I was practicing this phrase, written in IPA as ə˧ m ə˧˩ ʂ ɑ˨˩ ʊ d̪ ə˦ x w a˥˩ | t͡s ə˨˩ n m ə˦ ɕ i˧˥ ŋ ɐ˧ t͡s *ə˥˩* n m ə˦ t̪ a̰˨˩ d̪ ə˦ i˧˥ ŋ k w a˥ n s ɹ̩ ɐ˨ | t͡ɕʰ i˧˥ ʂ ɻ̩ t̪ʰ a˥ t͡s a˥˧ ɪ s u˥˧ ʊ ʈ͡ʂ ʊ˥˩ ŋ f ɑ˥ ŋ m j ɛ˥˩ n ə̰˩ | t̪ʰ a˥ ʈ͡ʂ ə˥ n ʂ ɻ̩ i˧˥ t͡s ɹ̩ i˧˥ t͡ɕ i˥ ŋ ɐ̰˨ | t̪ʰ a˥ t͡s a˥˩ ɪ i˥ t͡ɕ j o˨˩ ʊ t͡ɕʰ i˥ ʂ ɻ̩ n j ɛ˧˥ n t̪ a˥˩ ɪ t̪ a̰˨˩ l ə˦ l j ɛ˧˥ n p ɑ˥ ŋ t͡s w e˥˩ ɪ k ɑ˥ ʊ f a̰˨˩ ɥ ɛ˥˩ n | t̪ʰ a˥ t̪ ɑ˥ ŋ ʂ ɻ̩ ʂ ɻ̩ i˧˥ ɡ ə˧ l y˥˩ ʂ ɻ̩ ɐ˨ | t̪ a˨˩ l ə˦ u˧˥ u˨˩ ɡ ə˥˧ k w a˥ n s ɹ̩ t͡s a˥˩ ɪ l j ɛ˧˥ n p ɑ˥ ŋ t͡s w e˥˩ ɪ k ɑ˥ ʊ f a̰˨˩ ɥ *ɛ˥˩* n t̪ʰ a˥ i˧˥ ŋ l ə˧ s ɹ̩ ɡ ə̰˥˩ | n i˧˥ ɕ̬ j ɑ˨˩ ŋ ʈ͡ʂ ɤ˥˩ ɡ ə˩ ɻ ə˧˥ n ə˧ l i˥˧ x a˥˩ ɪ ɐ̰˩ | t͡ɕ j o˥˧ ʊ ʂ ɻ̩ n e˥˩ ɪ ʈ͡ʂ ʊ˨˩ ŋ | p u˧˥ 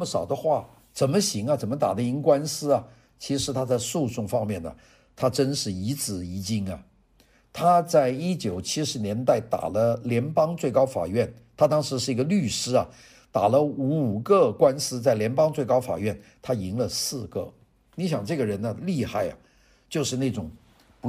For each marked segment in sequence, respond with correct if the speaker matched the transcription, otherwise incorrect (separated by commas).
incorrect, correct